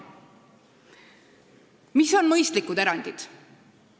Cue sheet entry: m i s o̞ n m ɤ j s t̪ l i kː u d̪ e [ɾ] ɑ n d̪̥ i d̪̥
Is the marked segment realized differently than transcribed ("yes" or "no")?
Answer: no